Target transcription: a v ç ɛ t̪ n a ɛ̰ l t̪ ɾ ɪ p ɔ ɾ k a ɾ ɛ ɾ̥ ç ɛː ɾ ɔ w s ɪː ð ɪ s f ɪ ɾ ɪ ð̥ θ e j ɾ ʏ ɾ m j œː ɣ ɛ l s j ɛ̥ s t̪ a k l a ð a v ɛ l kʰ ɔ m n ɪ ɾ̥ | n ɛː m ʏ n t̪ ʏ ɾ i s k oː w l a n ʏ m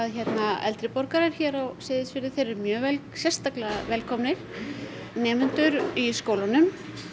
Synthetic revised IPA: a ð ç ɛ t̪ n a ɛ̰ l t̪ ɾ ɪ p ɔ ɾ k a ɾ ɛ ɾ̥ ç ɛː ɾ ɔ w s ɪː ð ɪ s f ɪ ɾ ɪ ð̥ θ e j ɾ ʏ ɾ m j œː v ɛ l s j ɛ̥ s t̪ a k l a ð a v ɛ l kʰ ɔ m n ɪ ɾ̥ | n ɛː m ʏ n t̪ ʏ ɾ i s k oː w l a n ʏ m